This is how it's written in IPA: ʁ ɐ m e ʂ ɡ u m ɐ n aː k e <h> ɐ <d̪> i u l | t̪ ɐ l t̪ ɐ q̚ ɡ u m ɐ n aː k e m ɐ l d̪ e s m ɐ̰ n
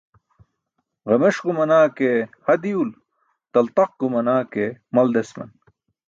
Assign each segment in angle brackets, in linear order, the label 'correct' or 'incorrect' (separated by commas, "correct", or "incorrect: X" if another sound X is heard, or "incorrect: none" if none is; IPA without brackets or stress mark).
correct, correct